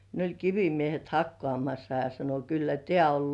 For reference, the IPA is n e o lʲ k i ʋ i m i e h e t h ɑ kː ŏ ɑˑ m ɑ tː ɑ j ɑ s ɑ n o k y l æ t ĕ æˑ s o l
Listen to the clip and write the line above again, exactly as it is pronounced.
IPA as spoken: n e o lʲ k i ʋ i m i e h e t h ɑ kː ŏ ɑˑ m ɑ sː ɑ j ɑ s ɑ n o k y lː æ t ĕ æˑ o l